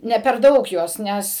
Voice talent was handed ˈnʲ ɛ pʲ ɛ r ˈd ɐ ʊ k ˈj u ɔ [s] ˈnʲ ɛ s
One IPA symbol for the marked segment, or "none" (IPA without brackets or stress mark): s